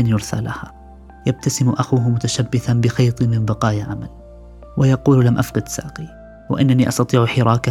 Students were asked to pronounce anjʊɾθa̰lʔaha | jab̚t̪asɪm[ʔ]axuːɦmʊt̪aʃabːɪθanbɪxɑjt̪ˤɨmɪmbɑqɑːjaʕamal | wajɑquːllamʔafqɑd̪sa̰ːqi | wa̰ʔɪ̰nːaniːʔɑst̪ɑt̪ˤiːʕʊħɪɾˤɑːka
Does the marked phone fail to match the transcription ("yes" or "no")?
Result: no